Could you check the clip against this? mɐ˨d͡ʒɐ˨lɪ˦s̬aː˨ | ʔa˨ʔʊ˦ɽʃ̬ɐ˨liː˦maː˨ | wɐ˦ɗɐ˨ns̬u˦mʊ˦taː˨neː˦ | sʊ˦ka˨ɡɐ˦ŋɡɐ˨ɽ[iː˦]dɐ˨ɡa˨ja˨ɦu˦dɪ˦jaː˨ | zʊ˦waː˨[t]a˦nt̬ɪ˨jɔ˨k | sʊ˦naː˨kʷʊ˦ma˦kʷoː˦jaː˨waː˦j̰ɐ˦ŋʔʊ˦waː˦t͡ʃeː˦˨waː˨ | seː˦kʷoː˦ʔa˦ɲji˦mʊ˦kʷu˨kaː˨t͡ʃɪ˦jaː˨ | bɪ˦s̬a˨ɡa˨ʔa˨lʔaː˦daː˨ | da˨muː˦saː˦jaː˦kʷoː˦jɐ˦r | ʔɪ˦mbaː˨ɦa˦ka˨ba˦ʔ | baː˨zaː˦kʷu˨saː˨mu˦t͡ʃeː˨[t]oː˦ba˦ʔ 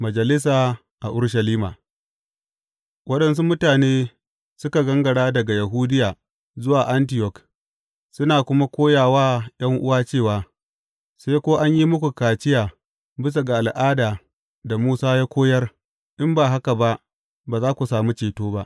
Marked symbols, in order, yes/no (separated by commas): no, no, yes